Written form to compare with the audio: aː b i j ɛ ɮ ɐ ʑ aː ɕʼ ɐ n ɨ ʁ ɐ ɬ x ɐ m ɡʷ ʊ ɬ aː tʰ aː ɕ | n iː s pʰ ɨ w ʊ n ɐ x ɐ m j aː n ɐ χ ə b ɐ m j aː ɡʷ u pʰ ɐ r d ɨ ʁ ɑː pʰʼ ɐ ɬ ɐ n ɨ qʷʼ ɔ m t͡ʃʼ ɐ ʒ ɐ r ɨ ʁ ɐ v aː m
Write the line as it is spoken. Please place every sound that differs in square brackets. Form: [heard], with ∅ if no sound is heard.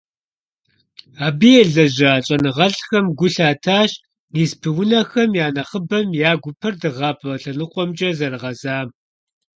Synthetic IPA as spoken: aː b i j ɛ ɮ ɐ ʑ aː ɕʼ ɐ n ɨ ʁ ɐ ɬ x ɐ m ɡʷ ʊ ɬ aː tʰ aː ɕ | n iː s pʰ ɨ w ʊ n ɐ x ɐ m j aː n ɐ χ ə b ɐ m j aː ɡʷ [ʊ] pʰ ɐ r d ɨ ʁ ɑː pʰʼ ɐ ɬ ɐ n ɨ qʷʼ ɔ m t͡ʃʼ ɐ [z] ɐ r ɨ ʁ ɐ [z] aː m